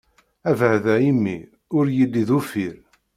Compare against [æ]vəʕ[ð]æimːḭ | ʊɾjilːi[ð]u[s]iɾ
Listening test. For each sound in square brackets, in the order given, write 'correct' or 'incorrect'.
correct, correct, correct, incorrect: f

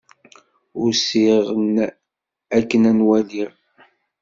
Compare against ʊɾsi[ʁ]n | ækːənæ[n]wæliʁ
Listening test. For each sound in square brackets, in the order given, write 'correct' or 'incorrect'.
correct, correct

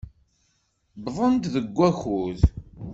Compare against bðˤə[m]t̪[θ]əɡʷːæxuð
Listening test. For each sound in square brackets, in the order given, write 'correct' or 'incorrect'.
incorrect: n, incorrect: ð

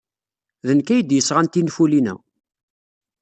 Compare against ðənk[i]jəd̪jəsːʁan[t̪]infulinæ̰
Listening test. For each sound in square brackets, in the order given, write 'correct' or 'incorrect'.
incorrect: æ, correct

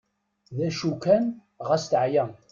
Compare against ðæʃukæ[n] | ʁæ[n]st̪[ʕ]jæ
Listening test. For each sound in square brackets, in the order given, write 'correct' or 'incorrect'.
correct, incorrect: none, correct

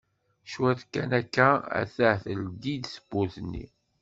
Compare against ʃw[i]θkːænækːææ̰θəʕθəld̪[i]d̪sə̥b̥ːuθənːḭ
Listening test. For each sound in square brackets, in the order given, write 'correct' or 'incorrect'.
incorrect: æ, correct

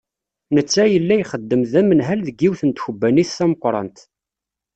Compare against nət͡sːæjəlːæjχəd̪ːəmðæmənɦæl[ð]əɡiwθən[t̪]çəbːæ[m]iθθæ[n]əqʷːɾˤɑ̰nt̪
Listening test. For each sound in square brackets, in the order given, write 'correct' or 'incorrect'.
correct, correct, incorrect: n, incorrect: m

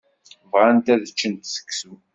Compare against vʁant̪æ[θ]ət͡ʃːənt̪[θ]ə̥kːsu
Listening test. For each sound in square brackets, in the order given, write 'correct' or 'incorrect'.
incorrect: ð, incorrect: s

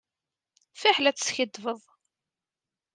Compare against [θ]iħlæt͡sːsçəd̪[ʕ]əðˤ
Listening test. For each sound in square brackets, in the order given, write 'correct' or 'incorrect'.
incorrect: f, incorrect: v

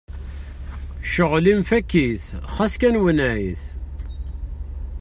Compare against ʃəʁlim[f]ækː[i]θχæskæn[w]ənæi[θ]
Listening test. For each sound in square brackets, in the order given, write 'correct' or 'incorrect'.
correct, correct, correct, correct

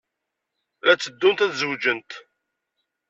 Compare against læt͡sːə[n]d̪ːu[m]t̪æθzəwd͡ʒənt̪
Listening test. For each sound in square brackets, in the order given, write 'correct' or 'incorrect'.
incorrect: none, incorrect: n

